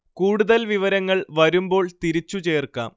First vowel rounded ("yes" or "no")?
yes